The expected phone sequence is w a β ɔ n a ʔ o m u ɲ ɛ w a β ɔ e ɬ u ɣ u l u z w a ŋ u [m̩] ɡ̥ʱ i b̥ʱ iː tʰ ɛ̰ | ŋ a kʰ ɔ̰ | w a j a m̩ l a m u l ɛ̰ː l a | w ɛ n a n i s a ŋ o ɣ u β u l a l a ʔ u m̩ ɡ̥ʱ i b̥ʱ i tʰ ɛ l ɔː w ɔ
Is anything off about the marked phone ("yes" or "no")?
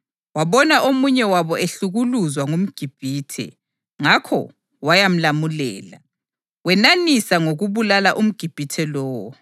no